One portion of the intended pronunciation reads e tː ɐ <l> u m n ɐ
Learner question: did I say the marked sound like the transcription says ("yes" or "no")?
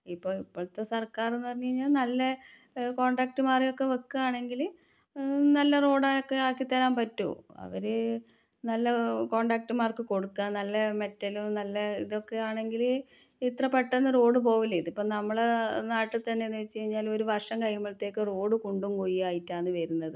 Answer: yes